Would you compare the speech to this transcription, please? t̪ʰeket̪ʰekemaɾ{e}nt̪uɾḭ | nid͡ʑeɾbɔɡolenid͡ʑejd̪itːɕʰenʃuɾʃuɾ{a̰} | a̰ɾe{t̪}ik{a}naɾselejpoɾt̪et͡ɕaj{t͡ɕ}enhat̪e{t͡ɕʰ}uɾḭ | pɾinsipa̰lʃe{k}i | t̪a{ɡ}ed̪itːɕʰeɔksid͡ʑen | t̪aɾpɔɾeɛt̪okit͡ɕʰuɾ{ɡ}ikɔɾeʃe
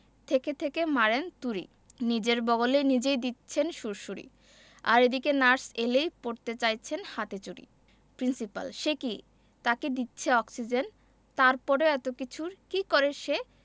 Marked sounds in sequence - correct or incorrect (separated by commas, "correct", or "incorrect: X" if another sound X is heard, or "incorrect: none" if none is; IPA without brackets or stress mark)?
correct, incorrect: ḭ, incorrect: d̪, incorrect: e, incorrect: t͡ɕʰ, incorrect: t͡ɕ, correct, incorrect: k, incorrect: k